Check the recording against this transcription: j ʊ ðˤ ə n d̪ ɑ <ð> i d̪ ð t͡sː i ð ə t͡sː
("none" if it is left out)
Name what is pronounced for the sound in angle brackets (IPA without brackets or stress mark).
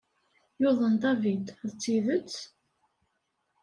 v